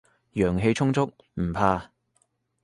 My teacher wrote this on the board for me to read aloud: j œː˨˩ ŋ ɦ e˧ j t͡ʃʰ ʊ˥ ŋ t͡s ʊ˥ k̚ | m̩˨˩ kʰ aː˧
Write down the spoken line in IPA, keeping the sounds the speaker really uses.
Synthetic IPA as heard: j œː˨˩ ŋ ɦ e˧ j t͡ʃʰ ʊ˥ ŋ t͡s ʊ˥ k̚ | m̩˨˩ pʰ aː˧